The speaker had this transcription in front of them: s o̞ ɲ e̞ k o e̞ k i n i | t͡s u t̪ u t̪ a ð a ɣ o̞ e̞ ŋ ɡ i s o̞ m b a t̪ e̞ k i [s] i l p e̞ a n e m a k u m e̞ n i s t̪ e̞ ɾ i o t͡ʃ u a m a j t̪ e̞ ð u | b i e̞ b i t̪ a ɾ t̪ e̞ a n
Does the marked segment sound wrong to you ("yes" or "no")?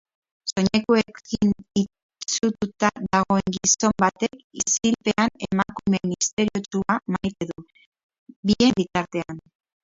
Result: no